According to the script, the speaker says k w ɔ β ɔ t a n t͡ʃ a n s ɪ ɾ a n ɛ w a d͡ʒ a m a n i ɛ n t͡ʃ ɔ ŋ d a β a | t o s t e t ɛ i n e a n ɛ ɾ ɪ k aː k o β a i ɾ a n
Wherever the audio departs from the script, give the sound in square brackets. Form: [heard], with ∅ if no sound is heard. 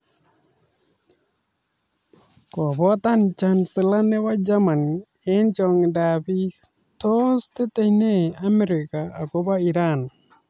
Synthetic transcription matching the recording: k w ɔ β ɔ t a n t͡ʃ a n s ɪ [l] a n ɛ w a d͡ʒ a m a n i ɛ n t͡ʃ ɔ ŋ d a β [i] | t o s t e t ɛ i n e a [m] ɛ ɾ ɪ k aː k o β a i ɾ a n